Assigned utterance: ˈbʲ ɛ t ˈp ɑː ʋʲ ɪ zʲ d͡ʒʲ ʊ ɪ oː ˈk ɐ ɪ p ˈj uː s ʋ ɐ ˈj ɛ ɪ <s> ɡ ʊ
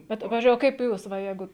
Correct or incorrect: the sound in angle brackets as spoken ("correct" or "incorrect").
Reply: incorrect